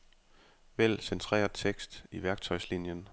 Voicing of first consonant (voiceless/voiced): voiced